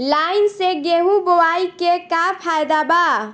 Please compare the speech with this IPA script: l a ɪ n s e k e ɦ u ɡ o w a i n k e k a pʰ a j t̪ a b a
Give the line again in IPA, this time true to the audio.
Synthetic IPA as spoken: l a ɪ n s e ɡ e ɦ u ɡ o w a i k e k a pʰ a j d̪ a b a